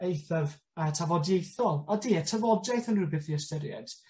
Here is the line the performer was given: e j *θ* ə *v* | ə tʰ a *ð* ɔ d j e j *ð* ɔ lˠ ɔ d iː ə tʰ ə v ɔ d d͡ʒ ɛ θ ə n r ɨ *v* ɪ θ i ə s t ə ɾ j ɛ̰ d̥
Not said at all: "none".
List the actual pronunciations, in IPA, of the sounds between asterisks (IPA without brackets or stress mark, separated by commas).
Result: θ, v, v, θ, b